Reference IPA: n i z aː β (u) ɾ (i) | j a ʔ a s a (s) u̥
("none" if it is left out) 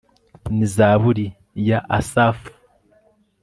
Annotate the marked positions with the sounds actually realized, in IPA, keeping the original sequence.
u, i, f

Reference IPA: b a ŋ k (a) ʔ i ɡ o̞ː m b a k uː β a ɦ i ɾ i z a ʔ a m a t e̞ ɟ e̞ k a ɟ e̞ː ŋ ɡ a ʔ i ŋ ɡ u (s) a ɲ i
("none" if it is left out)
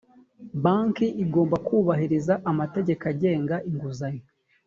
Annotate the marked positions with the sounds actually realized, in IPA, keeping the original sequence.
i, z

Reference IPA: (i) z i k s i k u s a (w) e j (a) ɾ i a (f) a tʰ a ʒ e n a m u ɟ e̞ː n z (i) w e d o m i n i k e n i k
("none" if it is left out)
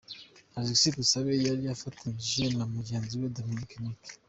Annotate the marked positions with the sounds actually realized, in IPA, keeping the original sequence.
a, β, a, f, i

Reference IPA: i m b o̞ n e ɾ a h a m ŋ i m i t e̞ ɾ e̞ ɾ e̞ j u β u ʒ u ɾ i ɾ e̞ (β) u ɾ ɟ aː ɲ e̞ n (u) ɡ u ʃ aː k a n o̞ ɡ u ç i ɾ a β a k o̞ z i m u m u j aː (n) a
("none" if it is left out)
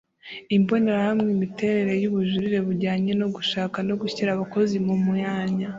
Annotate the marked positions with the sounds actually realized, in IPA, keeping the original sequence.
β, o, ɲ

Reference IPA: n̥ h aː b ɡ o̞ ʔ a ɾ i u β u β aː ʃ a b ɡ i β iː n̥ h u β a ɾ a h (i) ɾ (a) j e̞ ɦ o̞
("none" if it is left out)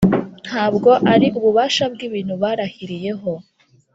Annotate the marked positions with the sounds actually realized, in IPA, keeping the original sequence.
i, i

